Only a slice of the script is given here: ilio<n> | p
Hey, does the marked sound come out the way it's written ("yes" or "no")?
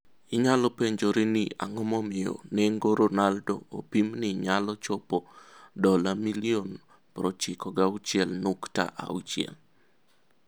yes